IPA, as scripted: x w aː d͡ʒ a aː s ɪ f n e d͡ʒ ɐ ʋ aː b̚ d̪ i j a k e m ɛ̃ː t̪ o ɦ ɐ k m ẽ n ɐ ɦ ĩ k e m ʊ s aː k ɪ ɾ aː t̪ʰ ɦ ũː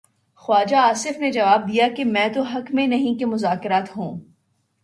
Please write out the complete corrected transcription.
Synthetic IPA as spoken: x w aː d͡ʒ a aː s ɪ f n e d͡ʒ ɐ ʋ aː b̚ d̪ i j a k e m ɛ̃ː t̪ o ɦ ɐ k m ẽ n ɐ ɦ ĩ k e m ʊ z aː k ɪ ɾ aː t̪ ɦ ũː